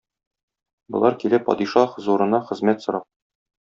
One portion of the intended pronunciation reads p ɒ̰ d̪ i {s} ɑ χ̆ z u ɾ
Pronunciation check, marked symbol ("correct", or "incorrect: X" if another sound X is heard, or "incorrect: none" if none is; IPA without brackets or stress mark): incorrect: ʃ